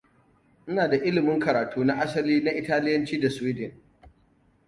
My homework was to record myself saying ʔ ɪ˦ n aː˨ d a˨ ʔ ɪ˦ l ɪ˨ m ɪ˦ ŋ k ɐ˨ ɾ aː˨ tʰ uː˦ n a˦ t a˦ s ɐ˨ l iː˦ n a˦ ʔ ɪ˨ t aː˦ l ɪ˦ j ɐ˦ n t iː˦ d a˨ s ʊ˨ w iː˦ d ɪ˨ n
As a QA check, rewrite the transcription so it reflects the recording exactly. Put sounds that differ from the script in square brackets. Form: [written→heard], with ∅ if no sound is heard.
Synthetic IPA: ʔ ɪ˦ n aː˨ d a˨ ʔ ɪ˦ l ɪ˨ m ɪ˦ ŋ k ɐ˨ ɾ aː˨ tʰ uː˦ n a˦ [t→ʔ] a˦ s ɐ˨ l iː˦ n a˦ ʔ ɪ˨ t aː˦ l ɪ˦ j ɐ˦ n [t→t͡ʃ] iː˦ d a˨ s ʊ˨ w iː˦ d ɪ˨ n